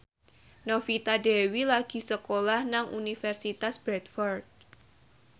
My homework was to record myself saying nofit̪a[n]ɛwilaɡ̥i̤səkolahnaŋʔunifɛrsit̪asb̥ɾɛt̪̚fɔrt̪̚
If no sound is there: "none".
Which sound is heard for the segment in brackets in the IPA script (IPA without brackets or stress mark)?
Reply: d